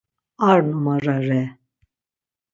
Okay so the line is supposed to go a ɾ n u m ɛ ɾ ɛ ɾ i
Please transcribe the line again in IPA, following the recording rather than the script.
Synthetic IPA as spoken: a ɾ n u m a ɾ a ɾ ɛ